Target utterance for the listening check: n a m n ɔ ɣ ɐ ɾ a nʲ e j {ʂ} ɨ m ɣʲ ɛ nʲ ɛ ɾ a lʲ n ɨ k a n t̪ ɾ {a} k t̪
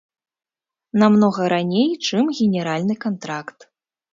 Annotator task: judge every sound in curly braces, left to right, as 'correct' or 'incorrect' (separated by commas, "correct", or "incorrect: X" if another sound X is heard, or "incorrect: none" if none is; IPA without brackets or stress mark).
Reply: incorrect: t͡ʂ, correct